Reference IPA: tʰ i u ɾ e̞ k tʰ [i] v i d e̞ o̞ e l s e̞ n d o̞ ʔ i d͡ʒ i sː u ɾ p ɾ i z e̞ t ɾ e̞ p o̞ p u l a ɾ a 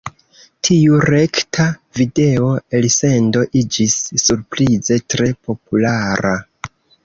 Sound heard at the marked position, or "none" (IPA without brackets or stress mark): a